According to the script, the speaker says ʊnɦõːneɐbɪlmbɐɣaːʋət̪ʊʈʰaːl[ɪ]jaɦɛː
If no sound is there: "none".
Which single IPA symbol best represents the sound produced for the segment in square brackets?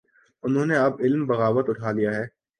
i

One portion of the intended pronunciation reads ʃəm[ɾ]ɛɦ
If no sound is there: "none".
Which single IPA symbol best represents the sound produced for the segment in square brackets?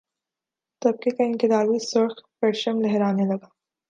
l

